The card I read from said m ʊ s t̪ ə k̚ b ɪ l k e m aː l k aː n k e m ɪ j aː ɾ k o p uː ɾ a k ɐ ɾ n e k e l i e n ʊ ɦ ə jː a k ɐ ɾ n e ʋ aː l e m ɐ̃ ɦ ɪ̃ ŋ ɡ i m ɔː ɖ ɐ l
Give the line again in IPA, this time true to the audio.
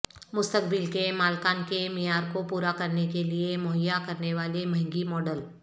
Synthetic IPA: m ʊ s t̪ ə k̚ b ɪ l k e m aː l k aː n k e m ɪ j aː ɾ k o p uː ɾ a k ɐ ɾ n e k e l i e m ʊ ɦ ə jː a k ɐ ɾ n e ʋ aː l e m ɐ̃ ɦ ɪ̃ ŋ ɡ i m ɔː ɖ ə l